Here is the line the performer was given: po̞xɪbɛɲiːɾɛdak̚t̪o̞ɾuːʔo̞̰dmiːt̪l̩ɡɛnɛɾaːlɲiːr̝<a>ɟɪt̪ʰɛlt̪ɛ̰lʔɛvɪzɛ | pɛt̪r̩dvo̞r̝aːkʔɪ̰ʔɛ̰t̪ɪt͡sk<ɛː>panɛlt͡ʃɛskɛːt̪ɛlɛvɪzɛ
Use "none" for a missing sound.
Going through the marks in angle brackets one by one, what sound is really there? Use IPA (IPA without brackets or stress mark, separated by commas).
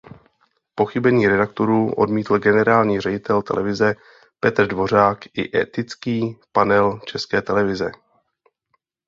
ɛ, iː